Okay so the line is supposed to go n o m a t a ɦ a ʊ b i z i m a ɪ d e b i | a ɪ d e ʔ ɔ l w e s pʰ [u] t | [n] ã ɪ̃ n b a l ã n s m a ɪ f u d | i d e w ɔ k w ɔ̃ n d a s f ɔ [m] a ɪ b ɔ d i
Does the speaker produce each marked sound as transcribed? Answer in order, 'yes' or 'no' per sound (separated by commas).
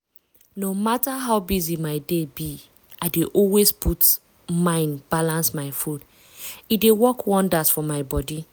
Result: yes, no, yes